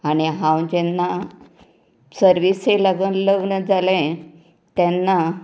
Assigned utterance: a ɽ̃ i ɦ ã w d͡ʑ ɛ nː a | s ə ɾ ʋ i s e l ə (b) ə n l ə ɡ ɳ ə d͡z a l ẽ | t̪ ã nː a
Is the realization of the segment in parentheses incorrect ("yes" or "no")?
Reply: yes